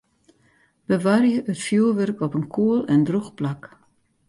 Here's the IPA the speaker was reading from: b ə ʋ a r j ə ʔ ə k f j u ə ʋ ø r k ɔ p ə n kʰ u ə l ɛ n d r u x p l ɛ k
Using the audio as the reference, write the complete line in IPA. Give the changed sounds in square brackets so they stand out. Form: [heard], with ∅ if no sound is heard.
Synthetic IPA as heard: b ə ʋ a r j ə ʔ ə [t] f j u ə ʋ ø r k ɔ p ə n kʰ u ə l ɛ n d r u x p l [a] k

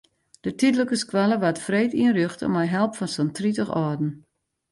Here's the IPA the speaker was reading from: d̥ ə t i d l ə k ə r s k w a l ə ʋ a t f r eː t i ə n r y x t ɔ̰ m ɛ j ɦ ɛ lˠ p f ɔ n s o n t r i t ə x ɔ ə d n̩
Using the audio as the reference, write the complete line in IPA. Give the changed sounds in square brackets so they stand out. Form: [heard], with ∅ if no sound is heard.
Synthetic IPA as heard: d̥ ə t i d l ə k ə [∅] s k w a l ə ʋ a t f r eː t i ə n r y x t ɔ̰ m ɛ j ɦ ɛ lˠ p f ɔ n s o n t r i t ə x ɔ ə d n̩

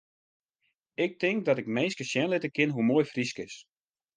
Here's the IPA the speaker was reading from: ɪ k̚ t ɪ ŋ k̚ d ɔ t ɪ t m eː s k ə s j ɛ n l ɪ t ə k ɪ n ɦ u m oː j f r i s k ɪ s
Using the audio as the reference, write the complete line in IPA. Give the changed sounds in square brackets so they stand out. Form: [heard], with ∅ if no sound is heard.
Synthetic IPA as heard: ɪ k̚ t ɪ ŋ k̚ d ɔ t ɪ [k] m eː s k ə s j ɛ n l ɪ t ə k ɪ n ɦ u m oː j f r i s k ɪ s

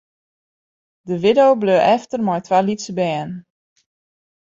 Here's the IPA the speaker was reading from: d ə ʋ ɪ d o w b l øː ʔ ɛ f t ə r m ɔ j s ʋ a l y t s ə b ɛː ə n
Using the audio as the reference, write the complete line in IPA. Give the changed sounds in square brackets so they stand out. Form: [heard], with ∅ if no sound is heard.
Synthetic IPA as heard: d ə ʋ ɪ d o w b l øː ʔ ɛ f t ə r m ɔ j [t] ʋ a l [i] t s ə b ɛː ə n

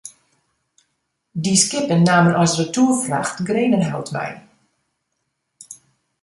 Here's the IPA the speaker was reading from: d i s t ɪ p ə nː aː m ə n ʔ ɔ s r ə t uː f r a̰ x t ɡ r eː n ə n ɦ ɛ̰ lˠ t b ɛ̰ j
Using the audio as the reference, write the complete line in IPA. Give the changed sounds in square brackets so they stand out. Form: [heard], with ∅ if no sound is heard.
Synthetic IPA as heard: d i s [k] ɪ p ə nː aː m ə n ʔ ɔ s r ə t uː f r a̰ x t ɡ r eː n ə n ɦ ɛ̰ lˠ t [m] ɛ̰ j

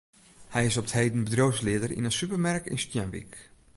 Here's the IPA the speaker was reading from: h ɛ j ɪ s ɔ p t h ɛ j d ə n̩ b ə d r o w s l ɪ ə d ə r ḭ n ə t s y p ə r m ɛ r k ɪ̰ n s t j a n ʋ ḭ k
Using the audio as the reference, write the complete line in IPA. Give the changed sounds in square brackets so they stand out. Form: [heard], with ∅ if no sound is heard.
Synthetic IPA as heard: h ɛ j ɪ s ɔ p t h [e] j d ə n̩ b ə d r o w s l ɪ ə d ə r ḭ n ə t s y p ə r m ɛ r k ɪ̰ n s t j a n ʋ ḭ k

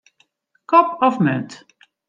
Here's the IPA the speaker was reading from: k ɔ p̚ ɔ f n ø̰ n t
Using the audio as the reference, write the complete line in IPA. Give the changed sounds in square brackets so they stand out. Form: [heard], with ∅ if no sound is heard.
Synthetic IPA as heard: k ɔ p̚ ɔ f [m] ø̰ n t

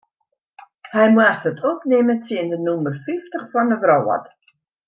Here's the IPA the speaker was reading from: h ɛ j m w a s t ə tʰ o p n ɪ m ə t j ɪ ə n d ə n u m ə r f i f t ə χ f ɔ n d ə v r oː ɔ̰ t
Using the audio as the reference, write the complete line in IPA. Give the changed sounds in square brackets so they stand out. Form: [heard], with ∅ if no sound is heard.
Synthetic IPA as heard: h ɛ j m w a s t ə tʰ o p n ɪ m ə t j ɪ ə n d ə n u m ə r f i f t ə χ f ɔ n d ə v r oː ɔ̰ t

